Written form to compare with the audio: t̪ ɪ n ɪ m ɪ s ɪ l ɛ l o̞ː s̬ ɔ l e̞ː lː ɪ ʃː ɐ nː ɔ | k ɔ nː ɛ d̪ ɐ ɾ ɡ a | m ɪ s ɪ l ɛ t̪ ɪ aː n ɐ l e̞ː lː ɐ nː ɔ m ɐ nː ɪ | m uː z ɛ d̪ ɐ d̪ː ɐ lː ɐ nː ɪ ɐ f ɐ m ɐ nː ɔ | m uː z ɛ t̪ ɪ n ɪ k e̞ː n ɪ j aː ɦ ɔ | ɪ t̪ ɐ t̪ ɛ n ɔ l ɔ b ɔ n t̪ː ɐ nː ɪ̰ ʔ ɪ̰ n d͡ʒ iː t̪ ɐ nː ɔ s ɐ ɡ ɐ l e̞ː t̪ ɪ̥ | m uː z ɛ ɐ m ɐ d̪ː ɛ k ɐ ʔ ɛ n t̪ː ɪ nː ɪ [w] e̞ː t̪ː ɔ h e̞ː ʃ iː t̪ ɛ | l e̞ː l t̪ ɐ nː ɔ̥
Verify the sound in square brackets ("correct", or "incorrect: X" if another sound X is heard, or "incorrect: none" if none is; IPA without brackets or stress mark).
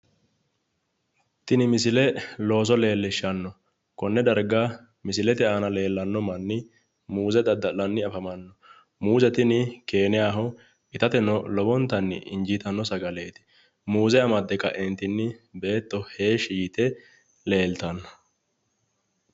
incorrect: b